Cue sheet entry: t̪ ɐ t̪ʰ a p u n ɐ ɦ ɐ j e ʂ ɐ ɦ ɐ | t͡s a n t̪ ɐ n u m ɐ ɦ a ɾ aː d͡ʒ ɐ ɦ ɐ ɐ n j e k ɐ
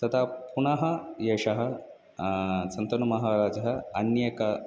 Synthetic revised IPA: t̪ ɐ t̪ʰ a p u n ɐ ɦ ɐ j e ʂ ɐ ɦ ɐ | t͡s ɐ n t̪ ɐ n u m ɐ ɦ a ɾ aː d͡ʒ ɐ ɦ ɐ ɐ n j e k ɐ